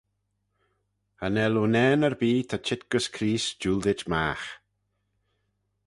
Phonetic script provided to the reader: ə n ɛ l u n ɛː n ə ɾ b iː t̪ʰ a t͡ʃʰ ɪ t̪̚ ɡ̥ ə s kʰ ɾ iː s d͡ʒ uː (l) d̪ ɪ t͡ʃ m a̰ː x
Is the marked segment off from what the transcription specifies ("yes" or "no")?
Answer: no